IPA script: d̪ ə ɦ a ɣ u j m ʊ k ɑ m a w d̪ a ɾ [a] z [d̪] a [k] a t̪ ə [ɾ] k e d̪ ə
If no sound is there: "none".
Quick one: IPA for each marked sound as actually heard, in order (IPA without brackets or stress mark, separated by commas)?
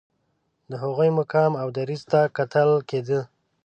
i, t̪, k, l